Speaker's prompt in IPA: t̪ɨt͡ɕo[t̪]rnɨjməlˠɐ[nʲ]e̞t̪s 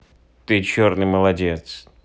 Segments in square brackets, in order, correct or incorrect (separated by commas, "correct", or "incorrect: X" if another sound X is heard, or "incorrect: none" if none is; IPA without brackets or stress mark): incorrect: none, incorrect: dʲ